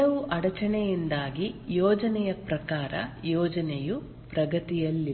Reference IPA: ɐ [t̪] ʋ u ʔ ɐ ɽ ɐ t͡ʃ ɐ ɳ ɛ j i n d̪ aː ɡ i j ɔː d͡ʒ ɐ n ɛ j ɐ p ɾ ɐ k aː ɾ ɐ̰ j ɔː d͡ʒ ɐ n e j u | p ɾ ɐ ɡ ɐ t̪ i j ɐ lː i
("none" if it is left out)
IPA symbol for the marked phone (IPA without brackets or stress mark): none